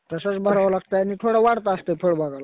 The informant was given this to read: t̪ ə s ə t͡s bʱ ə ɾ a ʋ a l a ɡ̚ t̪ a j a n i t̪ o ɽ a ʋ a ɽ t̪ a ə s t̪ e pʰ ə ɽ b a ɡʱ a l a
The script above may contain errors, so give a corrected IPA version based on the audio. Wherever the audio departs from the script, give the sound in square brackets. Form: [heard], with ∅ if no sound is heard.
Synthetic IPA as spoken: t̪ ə s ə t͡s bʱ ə ɾ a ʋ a l a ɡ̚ t̪ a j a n i [t̪ʰ] o ɽ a ʋ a ɽ t̪ a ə s t̪ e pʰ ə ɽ b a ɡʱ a l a